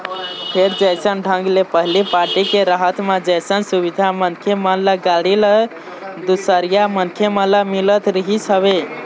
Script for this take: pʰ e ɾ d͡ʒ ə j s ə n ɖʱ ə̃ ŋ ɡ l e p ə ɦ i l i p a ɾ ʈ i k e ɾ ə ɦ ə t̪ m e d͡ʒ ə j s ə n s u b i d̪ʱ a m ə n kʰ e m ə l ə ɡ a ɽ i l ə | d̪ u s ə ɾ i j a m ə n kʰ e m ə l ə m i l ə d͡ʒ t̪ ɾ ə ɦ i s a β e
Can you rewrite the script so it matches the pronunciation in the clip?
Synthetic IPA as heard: pʰ e ɾ d͡ʒ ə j s ə n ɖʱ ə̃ ŋ ɡ l e p ə ɦ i l i p a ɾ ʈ i k e ɾ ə ɦ ə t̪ m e d͡ʒ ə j s ə n s u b i d̪ʱ a m ə n kʰ e m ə l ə ɡ a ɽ i l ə | d̪ u s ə ɾ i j a m ə n kʰ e m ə l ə m i l ə t̪ ɾ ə ɦ i s ə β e